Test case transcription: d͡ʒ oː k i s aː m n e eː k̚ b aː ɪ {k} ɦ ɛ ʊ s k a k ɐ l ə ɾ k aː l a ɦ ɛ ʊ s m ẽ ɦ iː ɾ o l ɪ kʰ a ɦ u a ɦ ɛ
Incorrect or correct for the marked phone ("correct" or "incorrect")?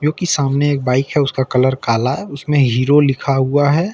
correct